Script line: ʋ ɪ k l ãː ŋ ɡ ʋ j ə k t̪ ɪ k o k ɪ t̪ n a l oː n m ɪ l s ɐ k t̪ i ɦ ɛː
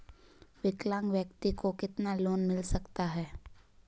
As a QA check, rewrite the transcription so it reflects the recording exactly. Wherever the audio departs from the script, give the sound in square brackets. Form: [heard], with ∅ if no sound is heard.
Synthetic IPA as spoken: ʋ ɪ k l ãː ŋ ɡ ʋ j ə k t̪ [i] k o k ɪ t̪ n a l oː n m ɪ l s ɐ k t̪ [a] ɦ ɛː